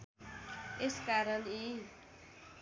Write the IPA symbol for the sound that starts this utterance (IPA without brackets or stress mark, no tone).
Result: e